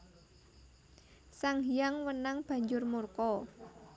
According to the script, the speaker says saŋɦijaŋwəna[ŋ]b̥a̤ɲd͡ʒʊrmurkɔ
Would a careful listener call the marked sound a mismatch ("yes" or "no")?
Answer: no